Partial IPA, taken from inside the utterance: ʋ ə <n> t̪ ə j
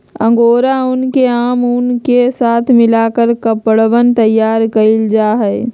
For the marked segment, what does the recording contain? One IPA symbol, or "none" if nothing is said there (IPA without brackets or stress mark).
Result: n